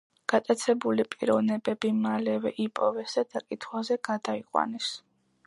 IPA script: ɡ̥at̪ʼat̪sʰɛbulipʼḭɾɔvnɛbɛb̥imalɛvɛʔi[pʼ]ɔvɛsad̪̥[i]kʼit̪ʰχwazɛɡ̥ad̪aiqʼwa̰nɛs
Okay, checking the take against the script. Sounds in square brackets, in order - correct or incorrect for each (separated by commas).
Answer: correct, incorrect